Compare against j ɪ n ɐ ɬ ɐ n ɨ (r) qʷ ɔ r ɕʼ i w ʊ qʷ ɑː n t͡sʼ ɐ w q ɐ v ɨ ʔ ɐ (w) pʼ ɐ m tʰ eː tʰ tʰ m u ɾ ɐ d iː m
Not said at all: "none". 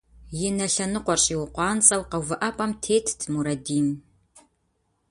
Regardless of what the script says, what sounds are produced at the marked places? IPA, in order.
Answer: none, none

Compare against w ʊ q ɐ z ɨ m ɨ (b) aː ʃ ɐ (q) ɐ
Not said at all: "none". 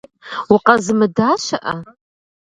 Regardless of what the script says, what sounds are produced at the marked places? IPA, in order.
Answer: d, ʔ

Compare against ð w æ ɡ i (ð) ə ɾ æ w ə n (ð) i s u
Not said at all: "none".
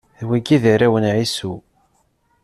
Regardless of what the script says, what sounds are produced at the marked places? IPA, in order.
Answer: ð, ʕ

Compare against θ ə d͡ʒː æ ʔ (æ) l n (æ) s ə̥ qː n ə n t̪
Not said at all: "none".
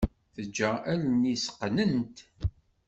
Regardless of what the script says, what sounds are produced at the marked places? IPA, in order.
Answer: æ, i

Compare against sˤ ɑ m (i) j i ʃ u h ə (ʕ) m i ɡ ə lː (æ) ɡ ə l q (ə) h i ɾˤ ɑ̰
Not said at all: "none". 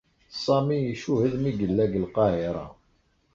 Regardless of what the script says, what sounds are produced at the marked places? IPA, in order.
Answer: i, ð, æ, ɑ

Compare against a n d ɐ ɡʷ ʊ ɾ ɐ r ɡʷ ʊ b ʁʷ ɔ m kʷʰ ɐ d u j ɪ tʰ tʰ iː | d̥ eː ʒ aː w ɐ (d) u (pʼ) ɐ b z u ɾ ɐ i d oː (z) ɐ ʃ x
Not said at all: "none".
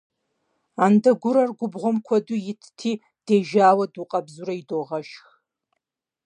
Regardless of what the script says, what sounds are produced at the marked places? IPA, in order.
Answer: d, qʼ, ʁ

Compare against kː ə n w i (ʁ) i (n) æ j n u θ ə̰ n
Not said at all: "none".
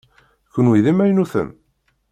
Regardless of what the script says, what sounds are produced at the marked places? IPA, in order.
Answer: ð, m

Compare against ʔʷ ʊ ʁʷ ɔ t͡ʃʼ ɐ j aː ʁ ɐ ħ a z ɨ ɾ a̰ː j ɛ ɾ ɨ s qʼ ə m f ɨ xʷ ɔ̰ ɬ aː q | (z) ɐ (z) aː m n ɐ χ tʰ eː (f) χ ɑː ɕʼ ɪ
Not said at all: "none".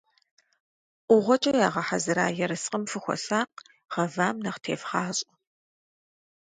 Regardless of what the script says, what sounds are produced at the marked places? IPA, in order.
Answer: ʁ, v, f

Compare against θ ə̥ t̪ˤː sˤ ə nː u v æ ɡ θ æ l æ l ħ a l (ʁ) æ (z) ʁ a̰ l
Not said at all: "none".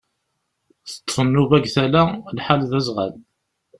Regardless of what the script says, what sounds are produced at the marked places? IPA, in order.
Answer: ð, z

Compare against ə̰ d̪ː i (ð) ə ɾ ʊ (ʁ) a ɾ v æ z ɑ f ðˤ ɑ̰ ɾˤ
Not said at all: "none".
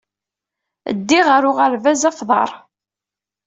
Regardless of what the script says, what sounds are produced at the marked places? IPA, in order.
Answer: ʁ, ʁ

